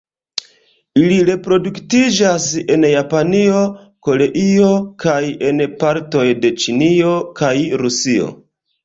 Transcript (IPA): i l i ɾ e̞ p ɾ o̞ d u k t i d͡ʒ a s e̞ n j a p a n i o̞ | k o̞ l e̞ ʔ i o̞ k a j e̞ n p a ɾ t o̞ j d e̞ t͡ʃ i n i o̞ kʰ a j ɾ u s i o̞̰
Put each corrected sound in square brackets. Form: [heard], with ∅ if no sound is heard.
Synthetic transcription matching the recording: i l i ɾ e̞ p ɾ o̞ d u k t i d͡ʒ a s e̞ n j a p a n i o̞ | k o̞ l e̞ ʔ i o̞ k a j e̞ n p a ɾ t o̞ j d e̞ t͡ʃ i n i o̞ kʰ a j ɾ u s i o̞̰